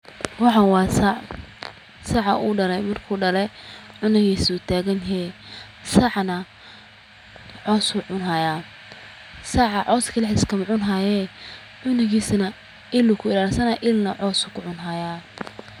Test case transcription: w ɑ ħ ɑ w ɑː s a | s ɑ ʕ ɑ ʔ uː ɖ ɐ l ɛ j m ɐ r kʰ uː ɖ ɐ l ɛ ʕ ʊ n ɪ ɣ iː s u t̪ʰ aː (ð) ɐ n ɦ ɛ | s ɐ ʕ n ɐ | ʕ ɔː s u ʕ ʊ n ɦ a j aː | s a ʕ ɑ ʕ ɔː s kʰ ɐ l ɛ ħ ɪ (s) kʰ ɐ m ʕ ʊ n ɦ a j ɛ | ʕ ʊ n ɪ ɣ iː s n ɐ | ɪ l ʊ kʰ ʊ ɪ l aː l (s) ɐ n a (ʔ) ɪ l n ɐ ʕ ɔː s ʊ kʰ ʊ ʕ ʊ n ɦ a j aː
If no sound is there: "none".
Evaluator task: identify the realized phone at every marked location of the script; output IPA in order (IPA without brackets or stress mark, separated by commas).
ɣ, s, s, ʔ